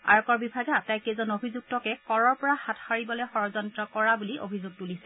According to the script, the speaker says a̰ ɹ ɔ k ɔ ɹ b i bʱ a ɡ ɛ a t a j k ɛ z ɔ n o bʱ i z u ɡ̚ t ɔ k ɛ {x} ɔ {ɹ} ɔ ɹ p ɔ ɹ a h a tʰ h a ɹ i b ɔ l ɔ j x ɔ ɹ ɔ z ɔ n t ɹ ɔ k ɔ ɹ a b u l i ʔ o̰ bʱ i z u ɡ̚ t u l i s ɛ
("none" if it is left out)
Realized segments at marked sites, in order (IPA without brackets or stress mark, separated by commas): k, ɹ